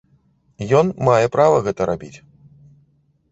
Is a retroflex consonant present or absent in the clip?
absent